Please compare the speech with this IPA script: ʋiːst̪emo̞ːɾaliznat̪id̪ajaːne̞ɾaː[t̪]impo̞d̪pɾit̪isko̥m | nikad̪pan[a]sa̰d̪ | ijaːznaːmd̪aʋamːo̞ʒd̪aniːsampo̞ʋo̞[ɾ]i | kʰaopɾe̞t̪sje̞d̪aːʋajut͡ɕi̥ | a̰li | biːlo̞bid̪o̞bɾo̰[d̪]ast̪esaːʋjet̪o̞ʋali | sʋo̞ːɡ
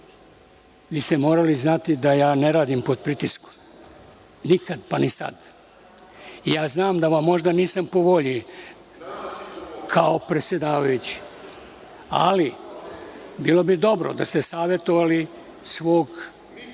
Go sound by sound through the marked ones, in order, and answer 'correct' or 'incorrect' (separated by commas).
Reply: incorrect, incorrect, incorrect, correct